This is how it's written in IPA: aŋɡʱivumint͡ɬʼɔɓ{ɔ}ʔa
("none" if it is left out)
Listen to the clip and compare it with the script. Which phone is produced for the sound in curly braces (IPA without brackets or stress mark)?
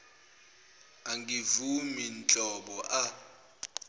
ɔ